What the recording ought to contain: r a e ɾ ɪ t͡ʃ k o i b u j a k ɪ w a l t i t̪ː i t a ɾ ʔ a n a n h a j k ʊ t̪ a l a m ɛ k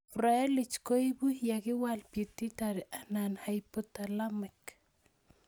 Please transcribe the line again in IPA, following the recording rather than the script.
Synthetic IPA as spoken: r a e l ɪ t͡ʃ k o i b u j a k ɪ w a l p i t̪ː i t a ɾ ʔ a n a n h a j p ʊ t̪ a l a m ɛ k